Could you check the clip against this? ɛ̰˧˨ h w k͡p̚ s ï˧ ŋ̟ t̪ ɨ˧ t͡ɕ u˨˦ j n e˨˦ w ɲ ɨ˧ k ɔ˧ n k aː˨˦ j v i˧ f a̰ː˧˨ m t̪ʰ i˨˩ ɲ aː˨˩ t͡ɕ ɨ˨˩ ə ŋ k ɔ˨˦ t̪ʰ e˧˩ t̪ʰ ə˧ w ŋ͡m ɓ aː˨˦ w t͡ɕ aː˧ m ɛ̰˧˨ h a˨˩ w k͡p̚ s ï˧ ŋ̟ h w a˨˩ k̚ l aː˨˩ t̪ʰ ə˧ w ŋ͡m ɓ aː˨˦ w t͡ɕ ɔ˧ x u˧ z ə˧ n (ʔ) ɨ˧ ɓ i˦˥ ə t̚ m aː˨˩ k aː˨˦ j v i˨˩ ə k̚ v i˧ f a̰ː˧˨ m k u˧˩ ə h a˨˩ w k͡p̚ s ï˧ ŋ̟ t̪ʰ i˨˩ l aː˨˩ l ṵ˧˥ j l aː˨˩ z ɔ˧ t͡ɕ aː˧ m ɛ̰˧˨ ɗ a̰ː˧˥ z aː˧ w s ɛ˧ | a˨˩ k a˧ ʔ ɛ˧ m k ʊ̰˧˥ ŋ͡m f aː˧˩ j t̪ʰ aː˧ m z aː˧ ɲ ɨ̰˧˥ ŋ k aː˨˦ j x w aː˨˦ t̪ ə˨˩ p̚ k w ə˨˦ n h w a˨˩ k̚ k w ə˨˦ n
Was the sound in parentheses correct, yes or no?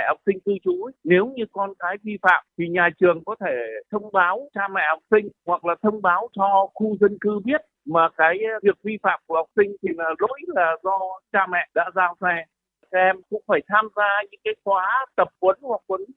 no